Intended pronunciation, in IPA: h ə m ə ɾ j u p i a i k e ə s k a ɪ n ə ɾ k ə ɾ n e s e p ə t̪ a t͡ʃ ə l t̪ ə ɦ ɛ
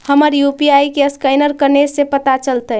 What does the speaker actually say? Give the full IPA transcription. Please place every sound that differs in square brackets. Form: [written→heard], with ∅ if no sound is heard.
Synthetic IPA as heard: h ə m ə ɾ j u p i a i k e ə s k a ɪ n ə ɾ k ə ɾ n e s e p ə t̪ a t͡ʃ ə l t̪ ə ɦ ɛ